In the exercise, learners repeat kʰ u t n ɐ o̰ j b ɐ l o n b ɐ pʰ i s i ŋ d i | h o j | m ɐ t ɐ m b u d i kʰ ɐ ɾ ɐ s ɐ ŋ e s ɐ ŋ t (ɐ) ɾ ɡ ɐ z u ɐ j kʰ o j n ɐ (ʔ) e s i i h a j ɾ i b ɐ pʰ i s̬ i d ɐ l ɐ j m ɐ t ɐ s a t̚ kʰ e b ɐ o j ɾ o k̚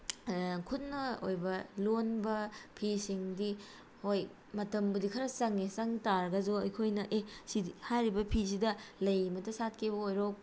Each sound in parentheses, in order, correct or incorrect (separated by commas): incorrect, correct